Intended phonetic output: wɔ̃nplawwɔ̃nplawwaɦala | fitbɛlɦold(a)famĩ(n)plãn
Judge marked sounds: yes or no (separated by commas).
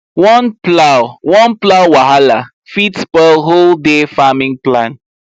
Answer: no, no